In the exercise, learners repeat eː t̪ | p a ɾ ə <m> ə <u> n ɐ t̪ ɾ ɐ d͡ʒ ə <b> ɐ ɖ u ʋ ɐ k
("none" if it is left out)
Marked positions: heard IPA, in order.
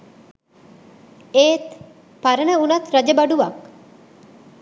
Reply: n, u, b

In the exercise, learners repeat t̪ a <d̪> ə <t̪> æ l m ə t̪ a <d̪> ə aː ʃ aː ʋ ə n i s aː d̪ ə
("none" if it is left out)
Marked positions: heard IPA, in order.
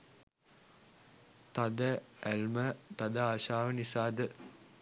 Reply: d̪, none, d̪

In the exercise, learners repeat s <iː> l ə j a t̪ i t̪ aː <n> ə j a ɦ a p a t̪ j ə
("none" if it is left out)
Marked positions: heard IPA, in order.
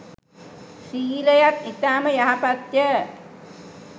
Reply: iː, m

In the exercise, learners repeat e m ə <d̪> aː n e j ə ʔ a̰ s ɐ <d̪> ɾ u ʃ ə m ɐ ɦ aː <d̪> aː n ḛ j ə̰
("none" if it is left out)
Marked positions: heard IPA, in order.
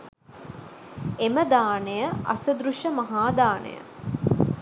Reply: d̪, d̪, d̪

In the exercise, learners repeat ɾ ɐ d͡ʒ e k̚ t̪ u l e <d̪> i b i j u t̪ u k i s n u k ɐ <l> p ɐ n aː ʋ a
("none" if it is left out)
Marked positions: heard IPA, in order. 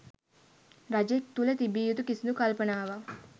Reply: t̪, l

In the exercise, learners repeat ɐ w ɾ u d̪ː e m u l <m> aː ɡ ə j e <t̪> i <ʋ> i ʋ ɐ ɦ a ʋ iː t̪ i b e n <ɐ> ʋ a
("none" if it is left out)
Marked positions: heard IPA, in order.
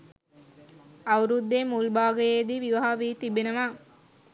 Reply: b, d̪, ʋ, ə

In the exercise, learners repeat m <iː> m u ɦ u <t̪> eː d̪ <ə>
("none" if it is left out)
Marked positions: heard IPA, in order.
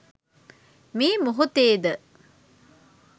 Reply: iː, t̪, ə

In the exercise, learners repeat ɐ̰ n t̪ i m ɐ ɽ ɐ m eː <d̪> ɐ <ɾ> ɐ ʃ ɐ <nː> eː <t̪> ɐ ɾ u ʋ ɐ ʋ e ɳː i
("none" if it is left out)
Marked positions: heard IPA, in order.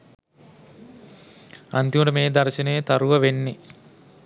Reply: d̪, ɾ, n, t̪

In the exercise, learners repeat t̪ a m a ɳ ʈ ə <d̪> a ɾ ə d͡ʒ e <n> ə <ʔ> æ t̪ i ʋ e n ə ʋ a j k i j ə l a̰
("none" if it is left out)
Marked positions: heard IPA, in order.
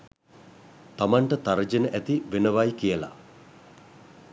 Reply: t̪, n, ʔ

